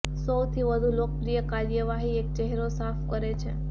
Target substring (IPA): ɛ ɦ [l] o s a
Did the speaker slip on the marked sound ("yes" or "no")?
yes